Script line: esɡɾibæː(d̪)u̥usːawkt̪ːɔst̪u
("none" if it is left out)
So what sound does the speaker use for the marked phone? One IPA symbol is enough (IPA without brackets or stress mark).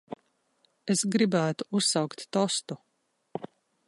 t̪